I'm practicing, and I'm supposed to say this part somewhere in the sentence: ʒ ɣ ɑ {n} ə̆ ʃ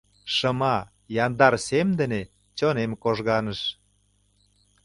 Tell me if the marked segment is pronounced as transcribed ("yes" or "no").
yes